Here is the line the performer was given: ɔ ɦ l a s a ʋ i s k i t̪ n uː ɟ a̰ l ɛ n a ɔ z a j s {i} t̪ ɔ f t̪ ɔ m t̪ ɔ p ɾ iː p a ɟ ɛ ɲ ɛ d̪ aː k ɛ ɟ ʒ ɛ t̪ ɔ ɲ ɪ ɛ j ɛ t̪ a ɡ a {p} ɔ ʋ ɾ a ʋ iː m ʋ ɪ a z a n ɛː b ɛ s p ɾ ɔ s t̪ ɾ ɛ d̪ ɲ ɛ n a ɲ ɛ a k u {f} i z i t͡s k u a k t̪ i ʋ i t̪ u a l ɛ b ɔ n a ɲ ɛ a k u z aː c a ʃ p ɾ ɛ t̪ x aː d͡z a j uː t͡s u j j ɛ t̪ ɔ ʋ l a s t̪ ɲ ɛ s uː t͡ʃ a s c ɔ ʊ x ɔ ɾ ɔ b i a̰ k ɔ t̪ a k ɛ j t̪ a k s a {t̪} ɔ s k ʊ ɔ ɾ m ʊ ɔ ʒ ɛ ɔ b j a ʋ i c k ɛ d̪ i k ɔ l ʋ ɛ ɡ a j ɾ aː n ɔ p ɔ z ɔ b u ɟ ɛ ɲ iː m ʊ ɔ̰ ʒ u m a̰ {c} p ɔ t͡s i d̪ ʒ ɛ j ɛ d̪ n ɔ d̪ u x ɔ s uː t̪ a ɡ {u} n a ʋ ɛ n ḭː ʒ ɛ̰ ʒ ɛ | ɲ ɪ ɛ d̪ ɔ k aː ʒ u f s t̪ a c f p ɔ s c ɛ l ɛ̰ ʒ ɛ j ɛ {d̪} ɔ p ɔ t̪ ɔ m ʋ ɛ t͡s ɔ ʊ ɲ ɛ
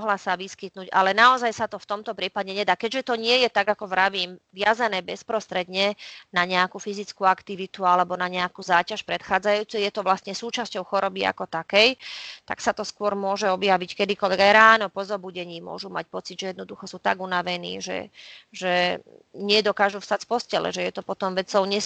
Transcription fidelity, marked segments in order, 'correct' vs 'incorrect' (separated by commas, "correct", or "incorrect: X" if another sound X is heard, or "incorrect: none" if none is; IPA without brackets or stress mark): incorrect: a, incorrect: k, correct, correct, correct, correct, incorrect: t̪